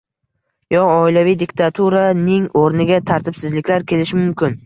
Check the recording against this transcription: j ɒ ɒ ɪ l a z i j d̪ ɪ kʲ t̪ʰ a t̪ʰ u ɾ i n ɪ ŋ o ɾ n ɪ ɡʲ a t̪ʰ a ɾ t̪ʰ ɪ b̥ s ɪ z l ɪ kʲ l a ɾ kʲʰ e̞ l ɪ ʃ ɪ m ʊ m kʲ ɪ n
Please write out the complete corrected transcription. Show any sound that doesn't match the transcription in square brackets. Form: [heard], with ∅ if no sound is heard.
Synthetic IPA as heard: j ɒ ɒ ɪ l a [v] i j d̪ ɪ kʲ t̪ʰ a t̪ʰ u ɾ [a] n ɪ ŋ o ɾ n ɪ ɡʲ a t̪ʰ a ɾ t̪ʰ ɪ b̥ s ɪ z l ɪ kʲ l a ɾ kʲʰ e̞ l ɪ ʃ ɪ m ʊ m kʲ ɪ n